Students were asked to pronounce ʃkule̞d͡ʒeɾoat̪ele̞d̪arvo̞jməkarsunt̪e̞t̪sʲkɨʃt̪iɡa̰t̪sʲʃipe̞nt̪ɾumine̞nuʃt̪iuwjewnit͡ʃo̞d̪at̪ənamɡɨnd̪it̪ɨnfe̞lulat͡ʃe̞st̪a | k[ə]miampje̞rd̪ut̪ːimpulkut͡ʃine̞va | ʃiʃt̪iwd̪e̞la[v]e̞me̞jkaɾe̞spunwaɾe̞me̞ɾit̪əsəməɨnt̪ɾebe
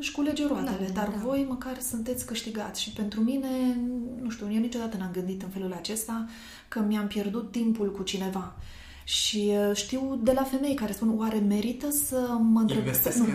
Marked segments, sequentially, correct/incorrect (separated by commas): correct, incorrect